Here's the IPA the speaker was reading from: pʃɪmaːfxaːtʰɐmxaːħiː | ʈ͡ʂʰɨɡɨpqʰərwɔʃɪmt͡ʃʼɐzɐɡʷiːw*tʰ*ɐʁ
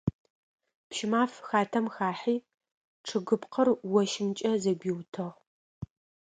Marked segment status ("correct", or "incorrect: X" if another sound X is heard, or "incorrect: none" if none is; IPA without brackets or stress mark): correct